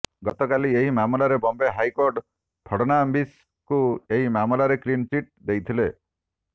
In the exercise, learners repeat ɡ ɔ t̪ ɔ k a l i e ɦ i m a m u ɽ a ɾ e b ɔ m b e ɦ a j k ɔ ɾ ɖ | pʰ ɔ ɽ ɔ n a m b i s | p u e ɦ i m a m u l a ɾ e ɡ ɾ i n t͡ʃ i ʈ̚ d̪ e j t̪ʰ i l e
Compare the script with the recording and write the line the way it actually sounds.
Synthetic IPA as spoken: ɡ ɔ t̪ ɔ k a l i e ɦ i m a m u l a ɾ e b ɔ m b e ɦ a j k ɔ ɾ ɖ | pʰ ɔ ɽ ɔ n a m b i s | k u e ɦ i m a m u l a ɾ e k ɾ i n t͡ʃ i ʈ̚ d̪ e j t̪ʰ i l e